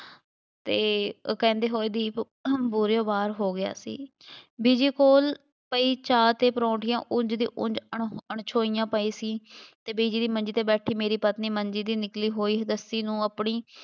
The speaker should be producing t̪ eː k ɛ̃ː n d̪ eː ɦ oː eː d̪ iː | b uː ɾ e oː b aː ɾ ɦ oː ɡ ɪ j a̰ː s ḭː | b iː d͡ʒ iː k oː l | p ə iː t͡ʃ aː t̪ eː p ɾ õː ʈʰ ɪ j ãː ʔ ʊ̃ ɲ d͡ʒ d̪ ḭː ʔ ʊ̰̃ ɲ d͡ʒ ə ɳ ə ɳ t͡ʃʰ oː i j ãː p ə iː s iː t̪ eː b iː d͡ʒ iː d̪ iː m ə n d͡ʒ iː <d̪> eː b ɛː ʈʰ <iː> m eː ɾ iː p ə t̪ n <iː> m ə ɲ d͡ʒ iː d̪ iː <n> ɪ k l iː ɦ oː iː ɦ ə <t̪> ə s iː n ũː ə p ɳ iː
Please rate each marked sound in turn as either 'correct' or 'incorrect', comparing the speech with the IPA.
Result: incorrect, correct, correct, correct, incorrect

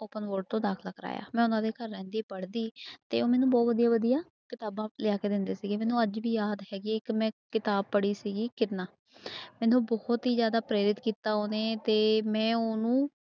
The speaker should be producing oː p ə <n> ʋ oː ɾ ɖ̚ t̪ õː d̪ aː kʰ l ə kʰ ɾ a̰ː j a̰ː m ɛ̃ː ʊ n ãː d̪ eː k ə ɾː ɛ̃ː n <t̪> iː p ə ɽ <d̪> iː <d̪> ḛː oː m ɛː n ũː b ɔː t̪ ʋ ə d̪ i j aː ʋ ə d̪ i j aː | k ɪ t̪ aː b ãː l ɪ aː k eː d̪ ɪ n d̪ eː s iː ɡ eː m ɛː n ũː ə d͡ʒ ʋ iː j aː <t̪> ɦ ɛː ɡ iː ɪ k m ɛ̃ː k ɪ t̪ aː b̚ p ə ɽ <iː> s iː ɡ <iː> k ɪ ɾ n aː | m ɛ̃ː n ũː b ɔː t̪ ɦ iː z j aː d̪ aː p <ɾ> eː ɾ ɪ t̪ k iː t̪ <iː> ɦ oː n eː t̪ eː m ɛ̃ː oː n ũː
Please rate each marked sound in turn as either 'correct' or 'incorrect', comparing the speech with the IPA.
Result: correct, incorrect, correct, incorrect, incorrect, correct, correct, correct, incorrect

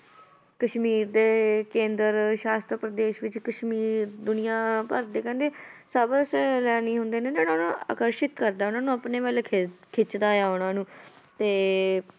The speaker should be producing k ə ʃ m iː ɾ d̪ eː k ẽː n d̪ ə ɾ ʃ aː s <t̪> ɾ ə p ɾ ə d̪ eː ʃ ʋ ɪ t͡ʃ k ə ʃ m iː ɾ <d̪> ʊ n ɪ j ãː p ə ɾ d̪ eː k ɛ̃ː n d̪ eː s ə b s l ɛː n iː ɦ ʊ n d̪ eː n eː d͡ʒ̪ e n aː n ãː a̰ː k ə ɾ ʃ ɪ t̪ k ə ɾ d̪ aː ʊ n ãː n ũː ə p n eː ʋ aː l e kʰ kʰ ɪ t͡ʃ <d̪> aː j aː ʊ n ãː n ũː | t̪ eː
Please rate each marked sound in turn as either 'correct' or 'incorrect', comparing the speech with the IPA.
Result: correct, correct, correct

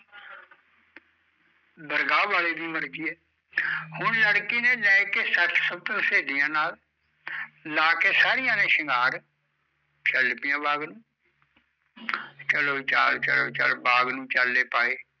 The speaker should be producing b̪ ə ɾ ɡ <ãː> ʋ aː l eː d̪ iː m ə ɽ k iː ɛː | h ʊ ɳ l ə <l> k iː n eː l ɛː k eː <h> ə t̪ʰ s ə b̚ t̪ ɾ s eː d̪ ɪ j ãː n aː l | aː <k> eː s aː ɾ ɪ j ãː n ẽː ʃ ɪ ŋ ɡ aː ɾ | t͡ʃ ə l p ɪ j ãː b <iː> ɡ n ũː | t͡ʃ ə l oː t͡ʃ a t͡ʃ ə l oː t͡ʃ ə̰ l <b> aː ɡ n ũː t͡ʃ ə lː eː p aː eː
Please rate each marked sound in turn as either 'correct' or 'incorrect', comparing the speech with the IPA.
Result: incorrect, incorrect, incorrect, correct, incorrect, correct

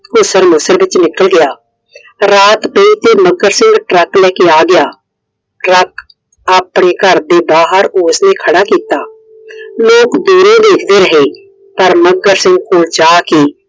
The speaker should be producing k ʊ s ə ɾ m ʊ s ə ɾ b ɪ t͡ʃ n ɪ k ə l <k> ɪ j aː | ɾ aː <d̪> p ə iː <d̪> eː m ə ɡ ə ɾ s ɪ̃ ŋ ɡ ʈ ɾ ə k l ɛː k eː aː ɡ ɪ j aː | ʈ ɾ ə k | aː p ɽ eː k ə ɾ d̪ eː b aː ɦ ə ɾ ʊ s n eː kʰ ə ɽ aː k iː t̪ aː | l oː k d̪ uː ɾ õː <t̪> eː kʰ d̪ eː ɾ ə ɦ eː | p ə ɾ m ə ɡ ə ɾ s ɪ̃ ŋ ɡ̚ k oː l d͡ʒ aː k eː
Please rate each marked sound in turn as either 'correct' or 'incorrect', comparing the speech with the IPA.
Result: incorrect, incorrect, incorrect, incorrect

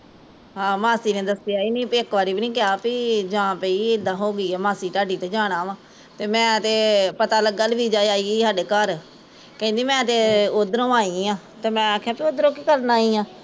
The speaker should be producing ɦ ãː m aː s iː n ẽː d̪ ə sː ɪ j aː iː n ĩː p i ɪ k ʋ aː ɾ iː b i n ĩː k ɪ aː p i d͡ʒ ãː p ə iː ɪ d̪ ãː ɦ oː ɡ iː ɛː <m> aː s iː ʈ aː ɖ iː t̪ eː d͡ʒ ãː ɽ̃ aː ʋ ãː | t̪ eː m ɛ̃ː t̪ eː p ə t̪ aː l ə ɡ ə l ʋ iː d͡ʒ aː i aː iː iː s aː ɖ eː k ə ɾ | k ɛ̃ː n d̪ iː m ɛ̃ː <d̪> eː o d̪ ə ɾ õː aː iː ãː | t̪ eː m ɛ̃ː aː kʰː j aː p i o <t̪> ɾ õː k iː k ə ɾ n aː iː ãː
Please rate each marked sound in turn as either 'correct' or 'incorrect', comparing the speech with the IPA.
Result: correct, incorrect, incorrect

